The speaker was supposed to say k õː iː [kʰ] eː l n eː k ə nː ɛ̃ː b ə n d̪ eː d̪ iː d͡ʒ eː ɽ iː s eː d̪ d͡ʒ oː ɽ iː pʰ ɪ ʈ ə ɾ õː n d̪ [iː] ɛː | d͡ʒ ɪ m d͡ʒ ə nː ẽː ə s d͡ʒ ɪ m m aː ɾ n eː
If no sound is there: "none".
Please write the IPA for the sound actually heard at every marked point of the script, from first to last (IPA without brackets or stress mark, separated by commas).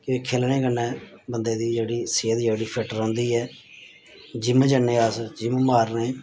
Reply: kʰ, iː